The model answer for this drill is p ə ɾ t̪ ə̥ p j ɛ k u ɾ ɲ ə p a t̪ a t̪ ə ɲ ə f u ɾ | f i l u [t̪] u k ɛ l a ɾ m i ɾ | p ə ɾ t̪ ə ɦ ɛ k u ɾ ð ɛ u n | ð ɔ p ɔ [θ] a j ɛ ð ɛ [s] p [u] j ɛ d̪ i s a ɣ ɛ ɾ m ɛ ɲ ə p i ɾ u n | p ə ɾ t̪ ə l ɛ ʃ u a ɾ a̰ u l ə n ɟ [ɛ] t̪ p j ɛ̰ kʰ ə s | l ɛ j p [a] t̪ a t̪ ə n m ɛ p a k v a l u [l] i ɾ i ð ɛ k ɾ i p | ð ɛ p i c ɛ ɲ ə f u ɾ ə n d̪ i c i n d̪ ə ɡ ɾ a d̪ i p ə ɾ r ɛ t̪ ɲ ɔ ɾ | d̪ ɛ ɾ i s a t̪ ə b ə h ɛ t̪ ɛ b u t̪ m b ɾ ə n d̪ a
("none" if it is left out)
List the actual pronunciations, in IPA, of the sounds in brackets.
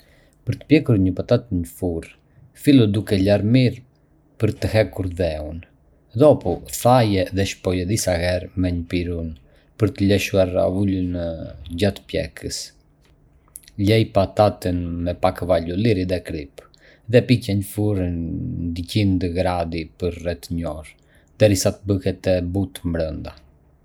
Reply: d̪, θ, ʃ, ɔ, a, a, l

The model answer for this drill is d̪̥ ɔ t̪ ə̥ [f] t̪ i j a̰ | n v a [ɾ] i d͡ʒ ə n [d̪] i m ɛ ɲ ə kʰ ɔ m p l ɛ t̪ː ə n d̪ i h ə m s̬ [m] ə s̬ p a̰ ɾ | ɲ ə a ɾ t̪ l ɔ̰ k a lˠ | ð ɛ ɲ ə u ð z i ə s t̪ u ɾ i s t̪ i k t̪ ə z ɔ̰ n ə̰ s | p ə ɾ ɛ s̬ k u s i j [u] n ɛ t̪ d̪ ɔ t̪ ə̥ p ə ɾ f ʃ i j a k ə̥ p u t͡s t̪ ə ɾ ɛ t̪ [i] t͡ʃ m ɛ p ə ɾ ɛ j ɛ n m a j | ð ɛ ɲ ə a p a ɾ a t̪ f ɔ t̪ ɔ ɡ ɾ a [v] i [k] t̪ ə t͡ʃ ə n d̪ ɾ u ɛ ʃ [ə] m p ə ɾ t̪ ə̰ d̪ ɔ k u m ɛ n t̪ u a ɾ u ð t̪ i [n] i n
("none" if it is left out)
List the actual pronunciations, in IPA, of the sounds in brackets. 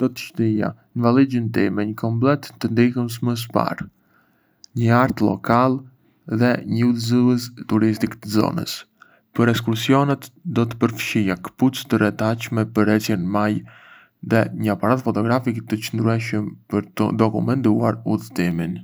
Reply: ʃ, l, t̪, m, ɔ, a, f, k, ə, m

